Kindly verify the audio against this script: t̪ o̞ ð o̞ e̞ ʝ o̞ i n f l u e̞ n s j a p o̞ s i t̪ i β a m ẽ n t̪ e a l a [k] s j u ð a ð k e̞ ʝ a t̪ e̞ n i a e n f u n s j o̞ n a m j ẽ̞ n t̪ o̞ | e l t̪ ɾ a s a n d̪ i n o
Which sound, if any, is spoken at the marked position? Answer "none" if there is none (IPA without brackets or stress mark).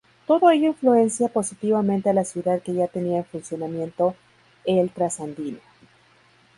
none